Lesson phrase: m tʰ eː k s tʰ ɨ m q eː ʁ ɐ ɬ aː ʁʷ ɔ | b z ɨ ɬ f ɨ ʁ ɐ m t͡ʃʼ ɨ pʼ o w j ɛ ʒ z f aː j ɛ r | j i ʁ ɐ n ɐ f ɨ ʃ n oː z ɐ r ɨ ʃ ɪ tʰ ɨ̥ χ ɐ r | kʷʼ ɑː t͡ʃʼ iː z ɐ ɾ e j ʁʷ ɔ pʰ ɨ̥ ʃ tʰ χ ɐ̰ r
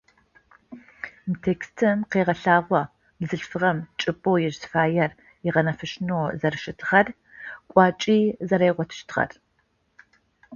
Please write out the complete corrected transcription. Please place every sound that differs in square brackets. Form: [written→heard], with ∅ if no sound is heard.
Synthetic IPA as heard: m tʰ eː k s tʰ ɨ m q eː ʁ ɐ ɬ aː ʁʷ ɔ | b z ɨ ɬ f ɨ ʁ ɐ m t͡ʃʼ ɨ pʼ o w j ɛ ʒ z f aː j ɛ r | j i ʁ ɐ n ɐ f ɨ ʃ n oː z ɐ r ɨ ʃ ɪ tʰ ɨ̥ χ ɐ r | kʷʼ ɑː t͡ʃʼ iː z ɐ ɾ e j ʁʷ ɔ [pʰ→tʰ] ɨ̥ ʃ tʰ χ ɐ̰ r